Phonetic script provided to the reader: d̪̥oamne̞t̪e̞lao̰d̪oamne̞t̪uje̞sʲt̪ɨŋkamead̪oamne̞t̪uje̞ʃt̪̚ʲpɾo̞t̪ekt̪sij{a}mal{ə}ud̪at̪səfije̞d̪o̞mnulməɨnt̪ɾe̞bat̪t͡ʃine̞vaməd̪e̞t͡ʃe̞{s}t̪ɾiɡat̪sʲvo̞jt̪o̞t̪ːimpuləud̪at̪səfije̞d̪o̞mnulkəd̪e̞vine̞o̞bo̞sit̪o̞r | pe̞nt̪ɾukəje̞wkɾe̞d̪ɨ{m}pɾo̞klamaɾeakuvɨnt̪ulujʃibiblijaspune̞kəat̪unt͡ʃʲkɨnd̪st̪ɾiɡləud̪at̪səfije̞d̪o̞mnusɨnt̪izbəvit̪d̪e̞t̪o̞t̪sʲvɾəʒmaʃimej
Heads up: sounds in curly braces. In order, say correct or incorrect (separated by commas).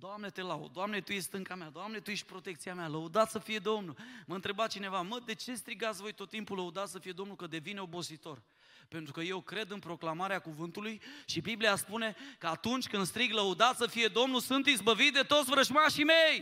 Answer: correct, correct, correct, incorrect